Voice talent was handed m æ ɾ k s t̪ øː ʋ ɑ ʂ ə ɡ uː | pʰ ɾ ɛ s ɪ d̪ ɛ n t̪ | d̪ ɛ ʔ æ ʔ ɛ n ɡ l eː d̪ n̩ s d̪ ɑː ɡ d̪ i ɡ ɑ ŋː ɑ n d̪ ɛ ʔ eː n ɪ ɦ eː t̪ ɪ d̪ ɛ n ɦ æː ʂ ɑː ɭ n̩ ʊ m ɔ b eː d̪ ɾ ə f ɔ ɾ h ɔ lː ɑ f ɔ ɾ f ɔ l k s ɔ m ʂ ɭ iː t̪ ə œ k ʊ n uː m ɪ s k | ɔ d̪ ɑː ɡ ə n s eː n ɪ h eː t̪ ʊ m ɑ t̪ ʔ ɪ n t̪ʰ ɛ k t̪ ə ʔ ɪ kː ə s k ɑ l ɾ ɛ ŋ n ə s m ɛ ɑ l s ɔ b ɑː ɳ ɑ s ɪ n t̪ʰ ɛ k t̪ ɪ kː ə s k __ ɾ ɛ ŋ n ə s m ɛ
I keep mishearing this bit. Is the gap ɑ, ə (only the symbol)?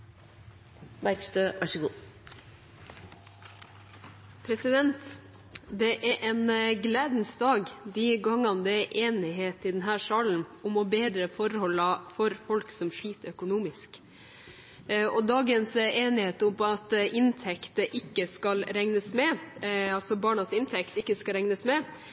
ɑ